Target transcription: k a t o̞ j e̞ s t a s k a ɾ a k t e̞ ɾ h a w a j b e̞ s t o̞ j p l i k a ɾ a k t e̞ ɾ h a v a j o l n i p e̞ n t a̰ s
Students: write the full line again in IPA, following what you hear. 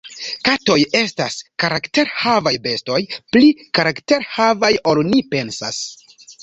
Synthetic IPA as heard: k a t o̞ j e̞ s t a s k a ɾ a k t e̞ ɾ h a v a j b e̞ s t o̞ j p l i k a ɾ a k t e̞ ɾ h a v a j o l n i p e̞ n s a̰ s

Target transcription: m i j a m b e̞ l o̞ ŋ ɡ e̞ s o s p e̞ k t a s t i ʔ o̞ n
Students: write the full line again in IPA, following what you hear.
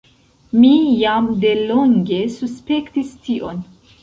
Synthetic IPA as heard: m i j a m d e̞ l o̞ ŋ ɡ e̞ s u s p e̞ k t i s t i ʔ o̞ n

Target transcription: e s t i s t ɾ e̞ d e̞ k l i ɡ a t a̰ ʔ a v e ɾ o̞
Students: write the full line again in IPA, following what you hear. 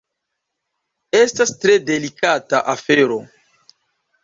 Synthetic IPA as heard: e s t a s t ɾ e̞ d e̞ l i k a t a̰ ʔ a f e ɾ o̞

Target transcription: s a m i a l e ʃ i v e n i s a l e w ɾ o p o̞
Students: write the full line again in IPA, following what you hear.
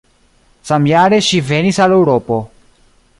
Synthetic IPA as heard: s a m j a ɾ e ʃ i v e n i s a l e w ɾ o p o̞

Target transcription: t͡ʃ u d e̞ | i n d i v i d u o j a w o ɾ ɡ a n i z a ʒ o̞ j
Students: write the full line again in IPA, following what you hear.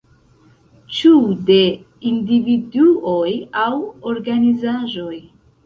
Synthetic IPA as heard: t͡ʃ u d e̞ | i n d i v i d u o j a w o ɾ ɡ a n i z a ʒ o̞ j

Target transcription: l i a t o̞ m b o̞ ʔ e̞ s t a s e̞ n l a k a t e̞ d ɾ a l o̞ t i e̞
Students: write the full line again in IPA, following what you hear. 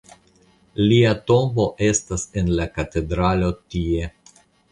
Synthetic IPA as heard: l i a t o̞ m b o̞ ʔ e̞ s t a s e̞ n l a k a t e̞ d ɾ a l o̞ t i e̞

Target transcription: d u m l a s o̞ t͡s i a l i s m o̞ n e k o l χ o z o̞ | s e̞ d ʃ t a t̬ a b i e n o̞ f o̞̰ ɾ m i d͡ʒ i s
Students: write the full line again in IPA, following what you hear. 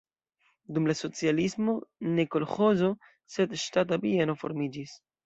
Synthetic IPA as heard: d u m l a s o̞ t͡s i a l i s m o̞ n e k o l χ o z o̞ | s e̞ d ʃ t a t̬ a b i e n o̞ f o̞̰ ɾ m i d͡ʒ i s

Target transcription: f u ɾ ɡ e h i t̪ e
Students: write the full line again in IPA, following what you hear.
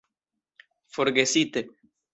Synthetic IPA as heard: f o ɾ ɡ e s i t̪ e

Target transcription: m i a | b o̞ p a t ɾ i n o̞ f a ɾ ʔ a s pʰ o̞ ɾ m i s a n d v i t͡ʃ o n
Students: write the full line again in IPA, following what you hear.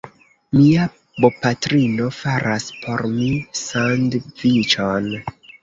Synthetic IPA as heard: m i a | b o̞ p a t ɾ i n o̞ f a ɾ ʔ a s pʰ o̞ ɾ m i s a n d v i t͡ʃ o n

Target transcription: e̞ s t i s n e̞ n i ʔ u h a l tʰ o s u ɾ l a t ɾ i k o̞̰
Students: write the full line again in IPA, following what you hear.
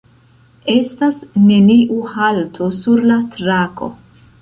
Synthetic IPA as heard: e̞ s t a s n e̞ n i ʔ u h a l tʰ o s u ɾ l a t ɾ a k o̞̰

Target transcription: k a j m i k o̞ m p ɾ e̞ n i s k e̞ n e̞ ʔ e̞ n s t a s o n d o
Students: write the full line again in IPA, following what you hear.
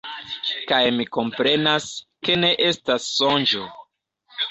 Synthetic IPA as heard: k a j m i k o̞ m p ɾ e̞ n a s k e̞ n e̞ ʔ e̞ s t a sː o n d͡ʒ o

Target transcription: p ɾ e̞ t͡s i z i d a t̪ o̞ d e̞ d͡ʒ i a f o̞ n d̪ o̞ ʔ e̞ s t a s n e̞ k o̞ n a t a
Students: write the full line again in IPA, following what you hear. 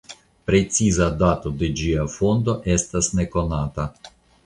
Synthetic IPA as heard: p ɾ e̞ t͡s i z a d a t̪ o̞ d e̞ d͡ʒ i a f o̞ n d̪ o̞ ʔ e̞ s t a s n e̞ k o̞ n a t a

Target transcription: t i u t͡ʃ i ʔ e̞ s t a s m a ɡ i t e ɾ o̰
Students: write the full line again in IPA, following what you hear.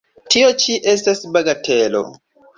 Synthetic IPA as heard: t i o t͡ʃ i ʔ e̞ s t a s b a ɡ a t e l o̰

